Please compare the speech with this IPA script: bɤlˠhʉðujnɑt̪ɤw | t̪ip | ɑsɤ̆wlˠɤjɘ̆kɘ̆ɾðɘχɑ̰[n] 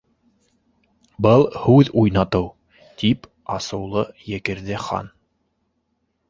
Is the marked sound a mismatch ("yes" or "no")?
no